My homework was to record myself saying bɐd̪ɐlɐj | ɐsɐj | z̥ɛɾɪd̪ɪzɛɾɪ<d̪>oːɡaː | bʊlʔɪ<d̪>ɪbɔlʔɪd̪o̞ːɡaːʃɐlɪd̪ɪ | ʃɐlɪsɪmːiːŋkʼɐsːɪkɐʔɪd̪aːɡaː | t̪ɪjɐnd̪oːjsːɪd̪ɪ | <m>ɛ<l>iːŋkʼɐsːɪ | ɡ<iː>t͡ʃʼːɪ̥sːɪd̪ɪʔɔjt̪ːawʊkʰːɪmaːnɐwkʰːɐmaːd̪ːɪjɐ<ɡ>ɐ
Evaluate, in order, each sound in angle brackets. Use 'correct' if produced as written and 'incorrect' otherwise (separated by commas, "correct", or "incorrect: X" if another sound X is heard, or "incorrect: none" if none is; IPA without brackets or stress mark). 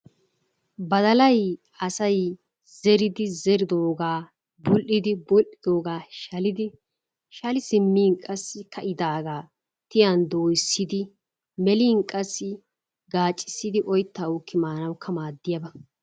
correct, correct, correct, correct, incorrect: aː, incorrect: b